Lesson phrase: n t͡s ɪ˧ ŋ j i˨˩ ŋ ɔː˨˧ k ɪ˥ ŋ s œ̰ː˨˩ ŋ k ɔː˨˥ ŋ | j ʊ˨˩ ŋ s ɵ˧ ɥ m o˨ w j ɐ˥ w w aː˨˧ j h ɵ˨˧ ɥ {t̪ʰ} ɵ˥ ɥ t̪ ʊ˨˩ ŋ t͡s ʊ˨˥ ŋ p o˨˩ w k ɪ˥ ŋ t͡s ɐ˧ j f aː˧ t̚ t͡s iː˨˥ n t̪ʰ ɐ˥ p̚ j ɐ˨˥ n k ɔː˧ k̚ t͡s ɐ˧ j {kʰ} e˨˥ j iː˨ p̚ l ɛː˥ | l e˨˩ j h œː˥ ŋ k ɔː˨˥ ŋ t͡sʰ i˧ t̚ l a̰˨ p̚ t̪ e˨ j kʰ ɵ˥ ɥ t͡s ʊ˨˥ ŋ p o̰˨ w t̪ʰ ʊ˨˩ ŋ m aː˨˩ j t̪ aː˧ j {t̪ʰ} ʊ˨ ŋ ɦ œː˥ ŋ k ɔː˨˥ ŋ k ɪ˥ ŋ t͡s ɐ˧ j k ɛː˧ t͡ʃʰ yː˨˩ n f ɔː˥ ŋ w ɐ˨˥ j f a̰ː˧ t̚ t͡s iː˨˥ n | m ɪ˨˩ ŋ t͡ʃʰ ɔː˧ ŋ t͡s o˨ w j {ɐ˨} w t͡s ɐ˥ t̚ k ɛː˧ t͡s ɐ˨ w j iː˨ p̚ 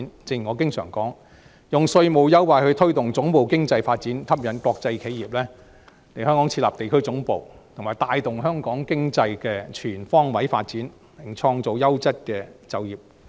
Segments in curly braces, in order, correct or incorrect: correct, correct, incorrect: t̪, incorrect: ɐ˥

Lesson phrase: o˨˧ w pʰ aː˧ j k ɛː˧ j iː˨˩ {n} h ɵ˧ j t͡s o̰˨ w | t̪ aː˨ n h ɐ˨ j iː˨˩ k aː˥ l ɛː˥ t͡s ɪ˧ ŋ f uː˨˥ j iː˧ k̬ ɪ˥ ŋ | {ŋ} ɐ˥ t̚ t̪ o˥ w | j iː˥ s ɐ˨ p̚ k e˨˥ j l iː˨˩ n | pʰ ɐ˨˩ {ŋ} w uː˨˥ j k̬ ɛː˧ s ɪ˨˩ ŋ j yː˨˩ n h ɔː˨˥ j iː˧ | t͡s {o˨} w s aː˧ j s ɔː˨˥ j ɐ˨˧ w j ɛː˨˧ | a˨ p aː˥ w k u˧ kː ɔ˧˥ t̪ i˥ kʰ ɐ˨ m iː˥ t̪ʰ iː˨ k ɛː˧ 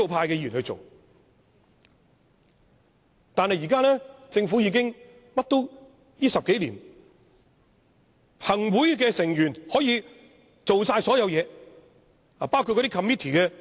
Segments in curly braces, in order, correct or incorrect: correct, incorrect: m, correct, correct

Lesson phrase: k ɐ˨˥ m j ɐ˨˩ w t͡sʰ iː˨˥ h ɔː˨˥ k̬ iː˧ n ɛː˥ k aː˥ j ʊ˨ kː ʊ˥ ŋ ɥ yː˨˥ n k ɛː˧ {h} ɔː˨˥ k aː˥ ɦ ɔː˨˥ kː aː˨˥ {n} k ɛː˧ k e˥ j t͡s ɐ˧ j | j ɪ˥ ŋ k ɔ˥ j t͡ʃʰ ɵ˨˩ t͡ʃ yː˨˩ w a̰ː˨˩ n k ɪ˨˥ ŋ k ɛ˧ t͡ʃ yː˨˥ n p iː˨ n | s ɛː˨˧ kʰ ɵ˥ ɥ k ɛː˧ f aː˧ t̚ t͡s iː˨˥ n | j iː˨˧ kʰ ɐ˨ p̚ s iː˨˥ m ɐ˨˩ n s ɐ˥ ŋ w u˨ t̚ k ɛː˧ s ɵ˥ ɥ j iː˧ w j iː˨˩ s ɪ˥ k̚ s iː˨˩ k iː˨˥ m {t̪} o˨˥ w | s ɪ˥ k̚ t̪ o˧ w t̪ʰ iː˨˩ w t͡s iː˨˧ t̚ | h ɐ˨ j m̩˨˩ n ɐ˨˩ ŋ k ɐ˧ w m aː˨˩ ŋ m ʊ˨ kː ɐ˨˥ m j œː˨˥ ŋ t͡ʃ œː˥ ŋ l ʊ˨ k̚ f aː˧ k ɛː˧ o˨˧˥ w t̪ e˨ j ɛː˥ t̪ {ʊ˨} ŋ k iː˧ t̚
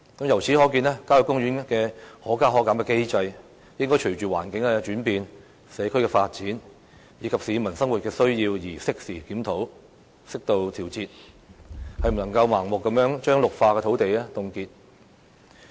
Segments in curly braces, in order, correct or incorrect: correct, incorrect: m, incorrect: t̪ʰ, correct

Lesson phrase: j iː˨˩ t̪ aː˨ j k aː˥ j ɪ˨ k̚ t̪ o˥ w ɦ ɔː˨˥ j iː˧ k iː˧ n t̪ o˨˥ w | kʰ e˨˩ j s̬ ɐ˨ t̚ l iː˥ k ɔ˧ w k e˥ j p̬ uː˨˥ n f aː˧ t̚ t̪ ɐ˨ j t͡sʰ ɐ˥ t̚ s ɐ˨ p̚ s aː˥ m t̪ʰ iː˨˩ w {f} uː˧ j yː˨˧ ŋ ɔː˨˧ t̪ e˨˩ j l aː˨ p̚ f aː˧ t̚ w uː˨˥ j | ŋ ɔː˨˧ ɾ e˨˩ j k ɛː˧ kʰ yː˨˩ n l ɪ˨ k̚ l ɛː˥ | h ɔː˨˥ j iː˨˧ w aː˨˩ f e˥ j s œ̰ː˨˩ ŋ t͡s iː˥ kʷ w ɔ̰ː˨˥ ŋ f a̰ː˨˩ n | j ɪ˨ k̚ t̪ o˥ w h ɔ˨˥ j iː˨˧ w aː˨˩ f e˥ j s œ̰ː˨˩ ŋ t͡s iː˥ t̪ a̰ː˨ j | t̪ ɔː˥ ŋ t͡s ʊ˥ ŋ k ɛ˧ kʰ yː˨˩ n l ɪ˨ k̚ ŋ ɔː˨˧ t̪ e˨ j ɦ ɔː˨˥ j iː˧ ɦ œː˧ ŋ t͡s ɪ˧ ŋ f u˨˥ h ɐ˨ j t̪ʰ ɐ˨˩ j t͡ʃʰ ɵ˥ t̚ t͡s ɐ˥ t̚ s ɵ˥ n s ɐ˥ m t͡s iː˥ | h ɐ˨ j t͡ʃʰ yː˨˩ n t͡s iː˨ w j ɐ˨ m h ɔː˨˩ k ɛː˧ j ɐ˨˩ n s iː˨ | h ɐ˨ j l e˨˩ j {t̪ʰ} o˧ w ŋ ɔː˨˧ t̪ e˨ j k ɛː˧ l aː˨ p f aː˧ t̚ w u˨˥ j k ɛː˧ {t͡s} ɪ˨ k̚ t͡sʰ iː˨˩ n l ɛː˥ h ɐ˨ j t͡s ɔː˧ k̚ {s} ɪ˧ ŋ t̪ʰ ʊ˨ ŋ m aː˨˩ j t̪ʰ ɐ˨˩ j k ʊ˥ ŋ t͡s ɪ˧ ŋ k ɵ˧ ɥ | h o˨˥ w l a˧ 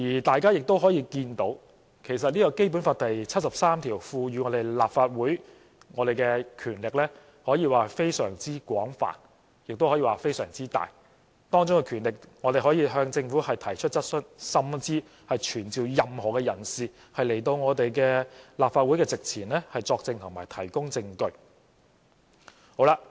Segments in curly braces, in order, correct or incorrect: correct, incorrect: t̪, correct, incorrect: t͡s

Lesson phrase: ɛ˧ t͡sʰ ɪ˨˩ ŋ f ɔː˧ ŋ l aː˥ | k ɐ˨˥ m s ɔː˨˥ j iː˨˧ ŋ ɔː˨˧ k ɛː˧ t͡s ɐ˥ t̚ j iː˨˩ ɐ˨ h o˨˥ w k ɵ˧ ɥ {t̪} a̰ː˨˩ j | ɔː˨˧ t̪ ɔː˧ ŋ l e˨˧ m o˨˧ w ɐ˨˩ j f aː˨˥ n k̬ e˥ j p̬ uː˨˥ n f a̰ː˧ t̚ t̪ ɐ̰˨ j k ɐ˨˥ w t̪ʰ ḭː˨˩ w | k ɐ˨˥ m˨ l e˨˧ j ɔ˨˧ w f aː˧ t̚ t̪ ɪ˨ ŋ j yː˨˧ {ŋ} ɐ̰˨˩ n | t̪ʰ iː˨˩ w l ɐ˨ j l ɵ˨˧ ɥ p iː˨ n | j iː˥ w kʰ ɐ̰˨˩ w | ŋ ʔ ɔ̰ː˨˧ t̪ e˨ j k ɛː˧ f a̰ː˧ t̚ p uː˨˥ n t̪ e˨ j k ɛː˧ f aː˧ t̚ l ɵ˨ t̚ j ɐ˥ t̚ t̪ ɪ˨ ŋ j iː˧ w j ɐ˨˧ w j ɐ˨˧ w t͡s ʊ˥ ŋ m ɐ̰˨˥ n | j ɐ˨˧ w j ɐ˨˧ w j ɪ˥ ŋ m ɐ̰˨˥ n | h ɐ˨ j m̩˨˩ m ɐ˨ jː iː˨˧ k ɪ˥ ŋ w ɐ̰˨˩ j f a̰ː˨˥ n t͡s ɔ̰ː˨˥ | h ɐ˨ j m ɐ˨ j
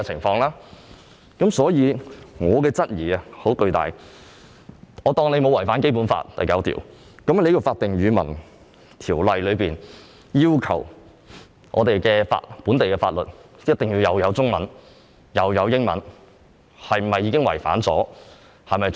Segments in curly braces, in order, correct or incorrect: correct, incorrect: m

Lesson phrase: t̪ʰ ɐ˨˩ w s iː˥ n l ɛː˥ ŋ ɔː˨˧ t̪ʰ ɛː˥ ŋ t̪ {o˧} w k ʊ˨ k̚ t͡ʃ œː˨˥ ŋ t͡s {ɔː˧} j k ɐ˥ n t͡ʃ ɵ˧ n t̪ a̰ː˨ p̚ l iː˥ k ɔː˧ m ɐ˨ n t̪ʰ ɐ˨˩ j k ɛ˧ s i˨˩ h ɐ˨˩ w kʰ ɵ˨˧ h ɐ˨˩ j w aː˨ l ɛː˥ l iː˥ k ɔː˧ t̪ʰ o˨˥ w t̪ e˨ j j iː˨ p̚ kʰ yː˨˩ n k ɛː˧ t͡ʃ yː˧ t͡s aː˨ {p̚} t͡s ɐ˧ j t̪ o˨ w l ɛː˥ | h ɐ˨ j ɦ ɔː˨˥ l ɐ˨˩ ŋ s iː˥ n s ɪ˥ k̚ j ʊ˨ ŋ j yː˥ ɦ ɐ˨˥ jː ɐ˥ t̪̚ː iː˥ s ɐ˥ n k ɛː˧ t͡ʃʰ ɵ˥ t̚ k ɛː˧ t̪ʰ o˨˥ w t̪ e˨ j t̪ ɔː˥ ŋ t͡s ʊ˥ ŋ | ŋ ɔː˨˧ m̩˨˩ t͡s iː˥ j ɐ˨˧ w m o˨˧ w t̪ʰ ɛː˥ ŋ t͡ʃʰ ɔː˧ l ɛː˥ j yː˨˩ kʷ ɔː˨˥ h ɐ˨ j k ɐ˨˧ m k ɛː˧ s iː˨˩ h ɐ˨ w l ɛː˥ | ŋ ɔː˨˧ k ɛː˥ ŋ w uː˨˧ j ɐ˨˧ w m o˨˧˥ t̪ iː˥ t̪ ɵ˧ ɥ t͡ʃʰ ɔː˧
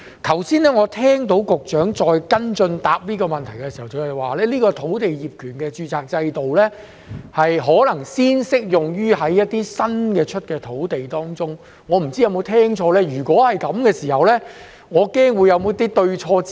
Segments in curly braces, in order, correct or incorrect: incorrect: o˨˥, correct, incorrect: k̚

